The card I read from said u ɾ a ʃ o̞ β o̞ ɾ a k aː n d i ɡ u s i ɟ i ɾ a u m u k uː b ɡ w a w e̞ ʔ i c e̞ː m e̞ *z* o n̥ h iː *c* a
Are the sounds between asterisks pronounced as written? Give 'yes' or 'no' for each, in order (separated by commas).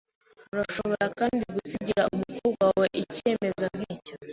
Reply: yes, yes